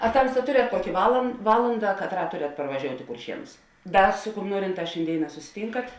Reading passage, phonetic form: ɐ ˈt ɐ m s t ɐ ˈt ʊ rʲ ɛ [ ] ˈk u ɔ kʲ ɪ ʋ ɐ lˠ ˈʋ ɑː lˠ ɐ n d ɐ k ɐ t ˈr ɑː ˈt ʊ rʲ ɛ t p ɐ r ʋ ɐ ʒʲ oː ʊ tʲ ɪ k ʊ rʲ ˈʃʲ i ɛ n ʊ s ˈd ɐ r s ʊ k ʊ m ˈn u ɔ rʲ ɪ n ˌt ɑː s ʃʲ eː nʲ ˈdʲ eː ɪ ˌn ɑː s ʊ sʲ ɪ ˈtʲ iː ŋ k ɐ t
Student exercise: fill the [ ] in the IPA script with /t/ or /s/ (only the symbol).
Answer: t